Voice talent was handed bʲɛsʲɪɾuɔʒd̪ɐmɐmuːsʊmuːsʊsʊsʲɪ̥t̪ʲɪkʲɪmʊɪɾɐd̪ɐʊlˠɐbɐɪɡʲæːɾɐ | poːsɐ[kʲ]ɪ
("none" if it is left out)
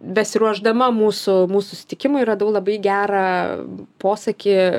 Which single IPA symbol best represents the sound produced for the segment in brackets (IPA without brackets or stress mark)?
kʲ